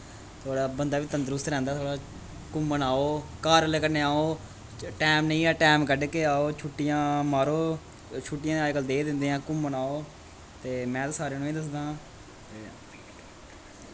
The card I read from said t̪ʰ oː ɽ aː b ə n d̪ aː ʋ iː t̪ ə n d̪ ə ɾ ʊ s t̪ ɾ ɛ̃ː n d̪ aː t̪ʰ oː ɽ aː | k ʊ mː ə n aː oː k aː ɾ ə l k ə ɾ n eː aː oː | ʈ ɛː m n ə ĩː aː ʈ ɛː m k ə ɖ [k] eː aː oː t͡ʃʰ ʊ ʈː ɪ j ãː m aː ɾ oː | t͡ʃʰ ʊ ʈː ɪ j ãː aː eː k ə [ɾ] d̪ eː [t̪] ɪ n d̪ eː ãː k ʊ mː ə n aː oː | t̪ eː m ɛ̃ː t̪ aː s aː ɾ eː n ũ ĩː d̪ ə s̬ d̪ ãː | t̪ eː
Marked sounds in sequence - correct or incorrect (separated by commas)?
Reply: correct, incorrect, incorrect